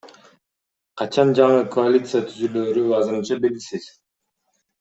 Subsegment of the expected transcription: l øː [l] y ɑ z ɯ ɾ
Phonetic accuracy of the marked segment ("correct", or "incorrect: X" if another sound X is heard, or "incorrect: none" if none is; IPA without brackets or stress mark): incorrect: ɾ